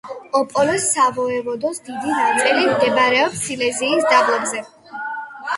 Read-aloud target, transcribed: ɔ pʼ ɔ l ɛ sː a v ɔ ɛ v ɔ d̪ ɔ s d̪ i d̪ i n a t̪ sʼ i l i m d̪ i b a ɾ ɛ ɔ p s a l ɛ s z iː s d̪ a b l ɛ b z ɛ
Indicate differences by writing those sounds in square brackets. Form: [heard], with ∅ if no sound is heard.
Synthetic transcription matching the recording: ɔ pʼ ɔ l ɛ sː a v ɔ ɛ v ɔ d̪ ɔ s d̪ i d̪ i n a t̪ sʼ i l i m d̪ [ɛ] b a ɾ ɛ ɔ p s [i] l ɛ [∅] z iː s d̪ a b l ɛ b z ɛ